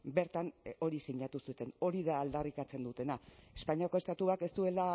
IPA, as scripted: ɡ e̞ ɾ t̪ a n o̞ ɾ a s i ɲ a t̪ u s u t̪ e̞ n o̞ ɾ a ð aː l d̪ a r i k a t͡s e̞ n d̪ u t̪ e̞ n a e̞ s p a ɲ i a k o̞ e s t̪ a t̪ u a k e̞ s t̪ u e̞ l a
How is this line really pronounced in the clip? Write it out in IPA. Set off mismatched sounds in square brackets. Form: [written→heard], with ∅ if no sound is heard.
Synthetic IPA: [ɡ→b] e̞ ɾ t̪ a n o̞ ɾ [a→i] s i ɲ a t̪ u s u t̪ e̞ n o̞ ɾ [a→i] ð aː l d̪ a r i k a t͡s e̞ n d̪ u t̪ e̞ n a e̞ s p a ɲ i a k o̞ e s t̪ a t̪ u a k e̞ s t̪ u e̞ l a